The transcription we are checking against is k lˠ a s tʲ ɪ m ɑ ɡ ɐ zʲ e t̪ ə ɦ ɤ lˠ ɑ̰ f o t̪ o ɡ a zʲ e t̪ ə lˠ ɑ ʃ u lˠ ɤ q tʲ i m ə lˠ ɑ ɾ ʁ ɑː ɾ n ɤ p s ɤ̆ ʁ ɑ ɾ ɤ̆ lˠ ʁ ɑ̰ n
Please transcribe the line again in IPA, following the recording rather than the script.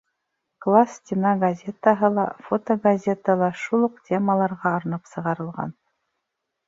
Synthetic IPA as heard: k lˠ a s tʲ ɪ n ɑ ɡ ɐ zʲ e t̪ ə ɦ ɤ lˠ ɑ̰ f o t̪ o ɡ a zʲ e t̪ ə lˠ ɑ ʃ u lˠ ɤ q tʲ e m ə lˠ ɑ ɾ ʁ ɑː ɾ n ɤ p s ɤ̆ ʁ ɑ ɾ ɤ̆ lˠ ʁ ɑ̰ n

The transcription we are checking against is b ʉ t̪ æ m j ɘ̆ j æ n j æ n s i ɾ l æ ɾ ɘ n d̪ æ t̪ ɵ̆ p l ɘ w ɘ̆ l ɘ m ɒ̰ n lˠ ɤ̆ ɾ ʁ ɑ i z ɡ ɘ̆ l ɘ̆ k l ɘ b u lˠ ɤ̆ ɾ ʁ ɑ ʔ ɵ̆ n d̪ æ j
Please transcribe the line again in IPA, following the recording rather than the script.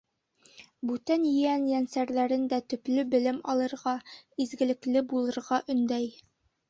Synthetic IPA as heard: b ʉ t̪ æ n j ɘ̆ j æ n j æ n s æ ɾ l æ ɾ ɘ n d̪ æ t̪ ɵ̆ p l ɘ b ɘ̆ l ɘ m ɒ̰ lˠ ɤ̆ ɾ ʁ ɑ i z ɡ ɘ̆ l ɘ̆ k l ɘ b u lˠ ɤ̆ ɾ ʁ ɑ ʔ ɵ̆ n d̪ æ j

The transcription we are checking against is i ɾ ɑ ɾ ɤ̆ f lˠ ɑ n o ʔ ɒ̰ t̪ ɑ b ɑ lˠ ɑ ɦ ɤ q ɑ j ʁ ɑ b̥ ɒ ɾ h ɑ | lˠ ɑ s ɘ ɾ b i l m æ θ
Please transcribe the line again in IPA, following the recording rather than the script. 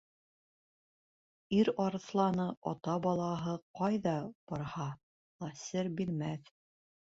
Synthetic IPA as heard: i ɾ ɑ ɾ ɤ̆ θ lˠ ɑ n ɤ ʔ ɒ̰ t̪ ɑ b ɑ lˠ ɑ ɦ ɤ q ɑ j ð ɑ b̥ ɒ ɾ h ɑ | lˠ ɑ s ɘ ɾ b i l m æ θ

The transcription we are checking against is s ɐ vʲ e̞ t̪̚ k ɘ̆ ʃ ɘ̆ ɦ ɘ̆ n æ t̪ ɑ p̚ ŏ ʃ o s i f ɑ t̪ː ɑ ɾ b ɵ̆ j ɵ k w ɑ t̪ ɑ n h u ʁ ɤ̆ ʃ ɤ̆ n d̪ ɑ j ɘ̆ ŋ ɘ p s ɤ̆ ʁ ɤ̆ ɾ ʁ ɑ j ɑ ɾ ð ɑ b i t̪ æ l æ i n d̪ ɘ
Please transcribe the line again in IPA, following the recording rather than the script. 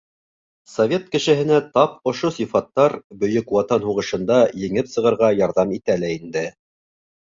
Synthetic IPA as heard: s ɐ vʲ e̞ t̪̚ k ɘ̆ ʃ ɘ̆ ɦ ɘ̆ n æ t̪ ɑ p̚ ŏ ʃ o s i f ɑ t̪ː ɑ ɾ b ɵ̆ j ɵ k w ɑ t̪ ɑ n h u ʁ ɤ̆ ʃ ɤ̆ n d̪ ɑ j ɘ̆ ŋ ɘ p s ɤ̆ ʁ ɤ̆ ɾ ʁ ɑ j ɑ ɾ ð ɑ m i t̪ æ l æ i n d̪ ɘ

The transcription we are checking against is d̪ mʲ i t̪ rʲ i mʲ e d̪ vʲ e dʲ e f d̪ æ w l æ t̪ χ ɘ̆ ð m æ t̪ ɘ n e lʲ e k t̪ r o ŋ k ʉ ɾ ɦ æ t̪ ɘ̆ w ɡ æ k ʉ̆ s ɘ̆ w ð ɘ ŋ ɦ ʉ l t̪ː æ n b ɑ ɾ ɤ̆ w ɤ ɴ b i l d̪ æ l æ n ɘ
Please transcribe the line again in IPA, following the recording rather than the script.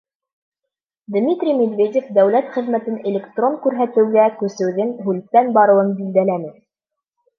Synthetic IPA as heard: d̪ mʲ i t̪ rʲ i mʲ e d̪ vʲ e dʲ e f d̪ æ w l æ t̪ χ ɘ̆ ð m æ t̪ ɘ n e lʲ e k t̪ r o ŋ k ʉ ɾ ɦ æ t̪ ɘ̆ w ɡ æ k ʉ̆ s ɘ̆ w ð ɘ ŋ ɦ ʉ l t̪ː æ n b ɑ ɾ ɤ̆ w ɤ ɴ b i l d̪ æ l æ n ɘ

